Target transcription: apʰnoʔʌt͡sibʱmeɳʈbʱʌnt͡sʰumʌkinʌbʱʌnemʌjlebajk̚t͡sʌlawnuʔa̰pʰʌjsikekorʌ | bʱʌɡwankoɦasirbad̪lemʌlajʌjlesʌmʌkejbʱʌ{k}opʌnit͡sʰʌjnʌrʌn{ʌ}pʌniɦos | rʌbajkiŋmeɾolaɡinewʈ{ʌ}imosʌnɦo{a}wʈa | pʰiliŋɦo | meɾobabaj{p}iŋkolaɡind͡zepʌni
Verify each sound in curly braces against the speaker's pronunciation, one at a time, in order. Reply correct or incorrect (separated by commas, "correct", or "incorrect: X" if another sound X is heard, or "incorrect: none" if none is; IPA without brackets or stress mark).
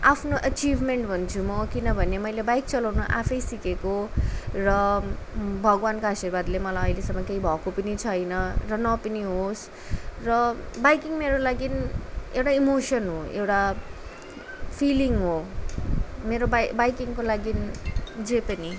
correct, correct, incorrect: a, incorrect: e, incorrect: k